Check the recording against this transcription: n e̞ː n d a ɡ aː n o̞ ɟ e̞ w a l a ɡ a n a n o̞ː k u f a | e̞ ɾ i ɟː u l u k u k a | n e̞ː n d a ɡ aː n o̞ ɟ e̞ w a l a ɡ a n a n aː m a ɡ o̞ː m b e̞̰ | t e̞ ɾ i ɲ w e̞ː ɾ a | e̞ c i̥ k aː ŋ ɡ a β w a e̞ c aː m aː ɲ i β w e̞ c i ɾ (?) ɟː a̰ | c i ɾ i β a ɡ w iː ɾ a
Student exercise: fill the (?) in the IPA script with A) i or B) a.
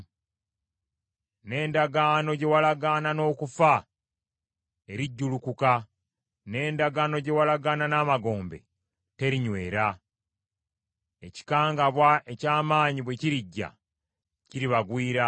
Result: A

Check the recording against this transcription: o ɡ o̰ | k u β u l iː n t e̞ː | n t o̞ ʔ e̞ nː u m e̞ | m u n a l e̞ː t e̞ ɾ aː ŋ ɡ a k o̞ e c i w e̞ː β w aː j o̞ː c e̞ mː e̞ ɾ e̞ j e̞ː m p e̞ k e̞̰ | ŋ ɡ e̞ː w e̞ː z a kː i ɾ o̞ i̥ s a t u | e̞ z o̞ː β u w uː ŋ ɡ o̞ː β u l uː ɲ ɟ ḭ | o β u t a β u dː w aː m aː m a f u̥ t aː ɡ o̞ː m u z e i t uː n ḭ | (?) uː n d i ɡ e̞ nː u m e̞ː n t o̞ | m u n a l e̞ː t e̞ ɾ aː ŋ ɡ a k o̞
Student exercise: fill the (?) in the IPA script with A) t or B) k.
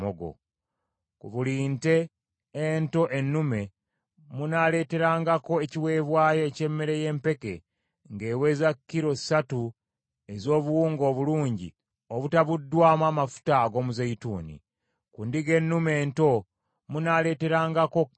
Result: B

